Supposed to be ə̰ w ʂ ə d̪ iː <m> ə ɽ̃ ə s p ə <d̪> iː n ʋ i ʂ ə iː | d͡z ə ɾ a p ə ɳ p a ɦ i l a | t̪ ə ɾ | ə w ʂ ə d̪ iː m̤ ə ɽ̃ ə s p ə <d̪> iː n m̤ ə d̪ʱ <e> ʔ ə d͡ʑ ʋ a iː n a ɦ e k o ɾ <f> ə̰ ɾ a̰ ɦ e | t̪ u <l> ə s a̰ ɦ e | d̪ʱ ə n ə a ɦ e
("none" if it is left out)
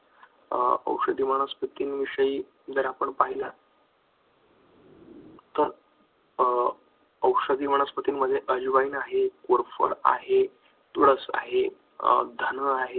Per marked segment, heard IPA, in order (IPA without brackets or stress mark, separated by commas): m, t̪, t̪, e, f, ɽ